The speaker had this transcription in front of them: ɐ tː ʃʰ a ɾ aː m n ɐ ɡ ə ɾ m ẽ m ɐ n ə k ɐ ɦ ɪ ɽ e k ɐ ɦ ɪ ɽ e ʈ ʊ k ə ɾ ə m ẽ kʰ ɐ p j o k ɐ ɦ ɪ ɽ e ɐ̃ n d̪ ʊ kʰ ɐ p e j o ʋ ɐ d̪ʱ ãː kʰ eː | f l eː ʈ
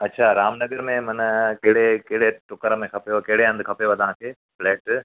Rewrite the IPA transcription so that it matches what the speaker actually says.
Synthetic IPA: ɐ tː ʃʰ a ɾ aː m n ɐ ɡ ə ɾ m ẽ m ɐ n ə k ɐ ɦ ɪ ɽ e k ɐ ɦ ɪ ɽ e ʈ ʊ k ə ɾ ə m ẽ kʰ ɐ p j o k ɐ ɦ ɪ ɽ e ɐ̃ n d̪ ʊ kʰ ɐ p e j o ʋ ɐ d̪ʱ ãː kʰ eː | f l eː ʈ

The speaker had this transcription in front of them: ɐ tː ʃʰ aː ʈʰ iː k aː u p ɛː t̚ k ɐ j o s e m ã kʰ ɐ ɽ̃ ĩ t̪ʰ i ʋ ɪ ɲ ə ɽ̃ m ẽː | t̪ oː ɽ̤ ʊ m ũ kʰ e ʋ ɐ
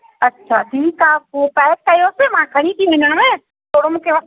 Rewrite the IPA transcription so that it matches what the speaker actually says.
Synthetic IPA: ɐ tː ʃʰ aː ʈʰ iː k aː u p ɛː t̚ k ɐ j o s e m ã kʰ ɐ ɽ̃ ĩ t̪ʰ i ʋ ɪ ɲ ə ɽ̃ m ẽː | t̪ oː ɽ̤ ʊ m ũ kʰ e ʋ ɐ

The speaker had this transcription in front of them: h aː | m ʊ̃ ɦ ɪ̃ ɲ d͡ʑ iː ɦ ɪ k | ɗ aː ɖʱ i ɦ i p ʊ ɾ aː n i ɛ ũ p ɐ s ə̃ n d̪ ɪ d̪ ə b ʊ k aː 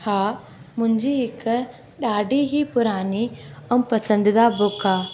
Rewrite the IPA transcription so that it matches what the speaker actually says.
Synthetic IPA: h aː | m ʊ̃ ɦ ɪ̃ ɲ d͡ʑ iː ɦ ɪ k | ɗ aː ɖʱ i ɦ i p ʊ ɾ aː n i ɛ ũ p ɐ s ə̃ n d̪ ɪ d̪ a b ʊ k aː

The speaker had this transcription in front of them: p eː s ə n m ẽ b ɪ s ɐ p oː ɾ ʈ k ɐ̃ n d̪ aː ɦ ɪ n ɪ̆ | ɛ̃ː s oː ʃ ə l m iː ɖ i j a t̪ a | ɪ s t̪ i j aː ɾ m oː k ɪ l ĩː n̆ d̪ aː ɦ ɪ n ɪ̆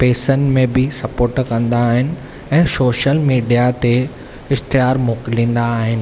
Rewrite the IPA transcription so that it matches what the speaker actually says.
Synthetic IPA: p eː s ə n m ẽ b ɪ s ɐ p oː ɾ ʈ k ɐ̃ n d̪ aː ɦ ɪ n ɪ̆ | ɛ̃ː s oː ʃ ə l m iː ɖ i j a t̪ e | ɪ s t̪ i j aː ɾ m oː k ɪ l ĩː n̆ d̪ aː ɦ ɪ n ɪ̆

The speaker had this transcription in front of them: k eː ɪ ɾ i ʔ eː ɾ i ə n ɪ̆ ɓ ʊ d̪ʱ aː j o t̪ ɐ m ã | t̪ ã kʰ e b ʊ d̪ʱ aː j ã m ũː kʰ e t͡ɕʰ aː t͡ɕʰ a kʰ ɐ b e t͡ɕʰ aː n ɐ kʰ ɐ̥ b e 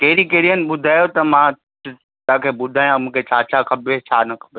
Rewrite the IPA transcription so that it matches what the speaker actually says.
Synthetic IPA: k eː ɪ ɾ i k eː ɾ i ə n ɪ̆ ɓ ʊ d̪ʱ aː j o t̪ ɐ m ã | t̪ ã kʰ e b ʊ d̪ʱ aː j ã m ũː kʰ e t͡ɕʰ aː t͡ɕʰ a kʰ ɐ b e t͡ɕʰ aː n ɐ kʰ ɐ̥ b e

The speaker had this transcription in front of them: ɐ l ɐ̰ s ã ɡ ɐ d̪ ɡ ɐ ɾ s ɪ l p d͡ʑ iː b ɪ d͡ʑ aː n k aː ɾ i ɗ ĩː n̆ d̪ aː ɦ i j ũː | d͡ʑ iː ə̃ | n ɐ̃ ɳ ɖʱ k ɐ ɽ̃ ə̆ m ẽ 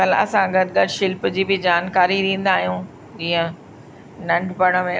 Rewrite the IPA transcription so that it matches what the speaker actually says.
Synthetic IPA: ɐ l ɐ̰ s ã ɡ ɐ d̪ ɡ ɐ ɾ ʃ ɪ l p d͡ʑ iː b ɪ d͡ʑ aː n k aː ɾ i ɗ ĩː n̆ d̪ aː ɦ i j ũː | d͡ʑ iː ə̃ | n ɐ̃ ɳ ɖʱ p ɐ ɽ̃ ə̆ m ẽ

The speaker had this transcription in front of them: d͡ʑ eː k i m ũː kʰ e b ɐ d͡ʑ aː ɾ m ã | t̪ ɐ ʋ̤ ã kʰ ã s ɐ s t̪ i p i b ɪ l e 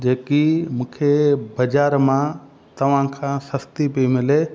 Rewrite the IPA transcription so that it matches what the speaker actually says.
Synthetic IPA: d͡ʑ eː k i m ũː kʰ e b ɐ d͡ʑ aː ɾ m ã | t̪ ɐ ʋ̤ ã kʰ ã s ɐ s t̪ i p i m ɪ l e

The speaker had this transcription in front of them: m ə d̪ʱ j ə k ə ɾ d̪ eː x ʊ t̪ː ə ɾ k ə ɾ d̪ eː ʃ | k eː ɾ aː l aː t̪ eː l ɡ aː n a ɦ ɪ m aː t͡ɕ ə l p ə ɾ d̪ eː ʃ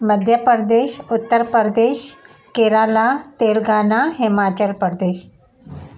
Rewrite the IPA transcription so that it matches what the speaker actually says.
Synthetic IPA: m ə d̪ʱ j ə p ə ɾ d̪ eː ʃ ʊ t̪ː ə ɾ p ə ɾ d̪ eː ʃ | k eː ɾ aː l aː t̪ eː l ɡ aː n a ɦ ɪ m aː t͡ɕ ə l p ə ɾ d̪ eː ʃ

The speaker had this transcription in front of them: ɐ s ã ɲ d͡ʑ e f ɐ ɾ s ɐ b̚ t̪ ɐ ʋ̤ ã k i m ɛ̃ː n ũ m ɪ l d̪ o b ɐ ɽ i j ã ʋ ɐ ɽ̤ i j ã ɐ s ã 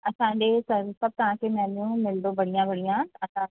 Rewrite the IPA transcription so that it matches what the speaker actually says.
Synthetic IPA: ɐ s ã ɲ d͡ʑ e s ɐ ɾ s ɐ b̚ t̪ ɐ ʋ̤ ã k e m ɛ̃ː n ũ m ɪ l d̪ o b ɐ ɽ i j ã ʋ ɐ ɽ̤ i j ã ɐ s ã

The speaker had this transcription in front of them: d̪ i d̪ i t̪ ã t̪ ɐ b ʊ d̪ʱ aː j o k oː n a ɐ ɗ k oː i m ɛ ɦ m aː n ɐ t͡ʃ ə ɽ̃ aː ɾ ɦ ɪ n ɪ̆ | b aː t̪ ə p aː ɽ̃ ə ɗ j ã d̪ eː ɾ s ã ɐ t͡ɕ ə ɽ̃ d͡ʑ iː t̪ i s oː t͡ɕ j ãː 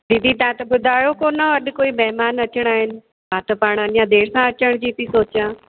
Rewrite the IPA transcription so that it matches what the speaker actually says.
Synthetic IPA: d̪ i d̪ i t̪ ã t̪ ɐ b ʊ d̪ʱ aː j o k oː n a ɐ ɗ k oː i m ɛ ɦ m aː n ɐ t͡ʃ ə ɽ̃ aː ɦ ɪ n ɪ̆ | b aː t̪ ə p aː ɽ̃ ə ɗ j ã d̪ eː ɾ s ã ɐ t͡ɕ ə ɽ̃ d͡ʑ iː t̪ i s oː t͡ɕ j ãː

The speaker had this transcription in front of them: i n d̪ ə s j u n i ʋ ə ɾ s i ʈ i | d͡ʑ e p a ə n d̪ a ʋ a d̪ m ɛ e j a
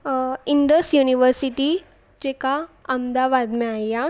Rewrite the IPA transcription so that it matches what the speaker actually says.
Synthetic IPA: i n d̪ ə s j u n i ʋ ə ɾ s i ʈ i | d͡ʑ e k a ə m d̪ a ʋ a d̪ m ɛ a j a

